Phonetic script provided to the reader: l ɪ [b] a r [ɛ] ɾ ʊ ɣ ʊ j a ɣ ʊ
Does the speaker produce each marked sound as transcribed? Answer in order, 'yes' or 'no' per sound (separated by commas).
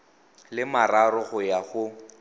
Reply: no, no